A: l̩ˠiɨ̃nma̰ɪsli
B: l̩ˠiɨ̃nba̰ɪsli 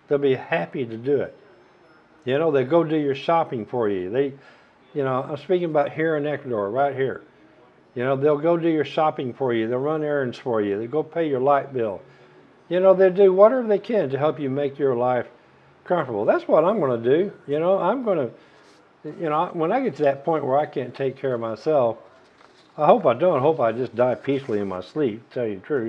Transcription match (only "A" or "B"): A